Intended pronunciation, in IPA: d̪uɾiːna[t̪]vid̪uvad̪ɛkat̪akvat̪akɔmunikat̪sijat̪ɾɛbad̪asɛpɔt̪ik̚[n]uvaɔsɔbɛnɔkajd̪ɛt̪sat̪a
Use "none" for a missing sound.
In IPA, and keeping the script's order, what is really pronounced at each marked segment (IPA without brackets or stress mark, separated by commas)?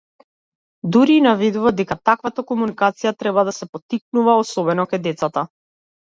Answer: none, n